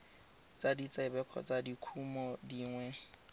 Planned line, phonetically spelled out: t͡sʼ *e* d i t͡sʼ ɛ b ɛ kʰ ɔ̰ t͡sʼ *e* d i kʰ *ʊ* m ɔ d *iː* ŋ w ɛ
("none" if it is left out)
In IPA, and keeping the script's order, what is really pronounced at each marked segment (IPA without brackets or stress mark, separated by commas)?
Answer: a, a, u, iː